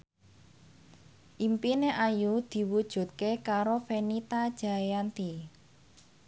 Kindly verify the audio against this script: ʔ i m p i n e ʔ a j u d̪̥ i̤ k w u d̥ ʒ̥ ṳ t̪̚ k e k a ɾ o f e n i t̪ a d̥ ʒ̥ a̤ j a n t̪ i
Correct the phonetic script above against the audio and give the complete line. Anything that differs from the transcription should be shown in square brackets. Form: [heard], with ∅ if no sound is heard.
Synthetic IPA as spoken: ʔ i m p i n e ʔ a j u d̪̥ i̤ [∅] w u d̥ ʒ̥ ṳ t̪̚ k e k a ɾ o f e n i t̪ a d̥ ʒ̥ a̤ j a n t̪ i